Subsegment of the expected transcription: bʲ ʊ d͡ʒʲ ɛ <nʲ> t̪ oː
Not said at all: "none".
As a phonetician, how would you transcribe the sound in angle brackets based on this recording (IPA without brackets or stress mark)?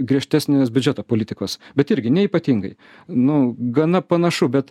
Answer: none